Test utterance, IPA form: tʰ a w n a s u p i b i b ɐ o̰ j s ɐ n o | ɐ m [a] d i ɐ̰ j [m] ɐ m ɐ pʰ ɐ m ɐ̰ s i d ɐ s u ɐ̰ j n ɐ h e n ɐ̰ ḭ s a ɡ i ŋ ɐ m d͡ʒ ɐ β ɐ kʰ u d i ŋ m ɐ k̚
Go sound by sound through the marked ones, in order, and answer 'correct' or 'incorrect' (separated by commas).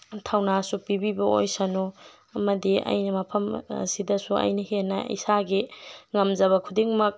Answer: incorrect, incorrect